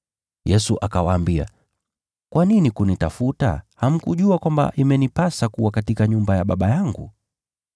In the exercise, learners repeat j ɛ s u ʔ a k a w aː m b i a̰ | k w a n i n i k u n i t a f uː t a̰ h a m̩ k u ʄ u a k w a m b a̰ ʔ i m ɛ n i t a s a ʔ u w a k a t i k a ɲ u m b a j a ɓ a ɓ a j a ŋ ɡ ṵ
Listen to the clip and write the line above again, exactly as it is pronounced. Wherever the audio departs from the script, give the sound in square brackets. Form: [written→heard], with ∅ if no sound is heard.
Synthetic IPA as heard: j ɛ s u ʔ a k a w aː m b i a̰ | k w a n i n i k u n i t a f [uː→u] t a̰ h a m̩ k u ʄ u a k w a m b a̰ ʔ i m ɛ n i [t→p] a s a [ʔ→k] u w a k a t i k a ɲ u m b a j a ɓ a ɓ a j a ŋ ɡ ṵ